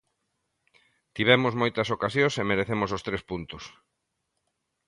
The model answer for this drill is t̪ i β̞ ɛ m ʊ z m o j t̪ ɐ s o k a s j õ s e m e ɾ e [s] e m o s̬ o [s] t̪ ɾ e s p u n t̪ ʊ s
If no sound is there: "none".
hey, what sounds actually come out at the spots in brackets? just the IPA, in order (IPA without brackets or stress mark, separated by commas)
θ, s